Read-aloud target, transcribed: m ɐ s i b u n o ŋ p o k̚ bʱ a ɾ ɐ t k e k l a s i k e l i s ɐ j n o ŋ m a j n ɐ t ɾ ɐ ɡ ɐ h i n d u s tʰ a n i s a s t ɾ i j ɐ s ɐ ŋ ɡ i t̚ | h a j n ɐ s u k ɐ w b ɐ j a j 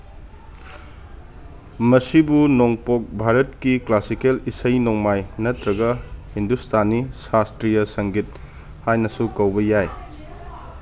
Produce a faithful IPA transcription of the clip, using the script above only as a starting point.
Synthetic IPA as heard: m ɐ s i b u n o ŋ p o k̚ bʱ a ɾ ɐ t k i k l a s i k e l i s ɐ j n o ŋ m a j n ɐ t ɾ ɐ ɡ ɐ h i n d u s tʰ a n i s a s t ɾ i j ɐ s ɐ ŋ ɡ i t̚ | h a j n ɐ s u k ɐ w b ɐ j a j